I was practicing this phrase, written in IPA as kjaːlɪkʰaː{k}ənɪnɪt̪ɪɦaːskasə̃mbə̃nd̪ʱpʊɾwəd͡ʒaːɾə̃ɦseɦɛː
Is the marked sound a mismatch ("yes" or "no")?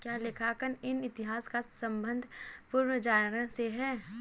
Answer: no